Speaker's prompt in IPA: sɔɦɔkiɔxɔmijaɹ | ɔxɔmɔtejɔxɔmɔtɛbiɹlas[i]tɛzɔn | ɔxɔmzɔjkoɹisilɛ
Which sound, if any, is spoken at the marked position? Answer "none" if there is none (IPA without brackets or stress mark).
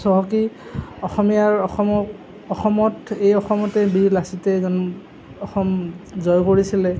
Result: i